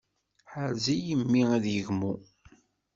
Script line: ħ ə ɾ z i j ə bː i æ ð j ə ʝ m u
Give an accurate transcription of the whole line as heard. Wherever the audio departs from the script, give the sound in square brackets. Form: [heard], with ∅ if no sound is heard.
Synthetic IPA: ħ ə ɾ z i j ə [mː] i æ ð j ə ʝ m u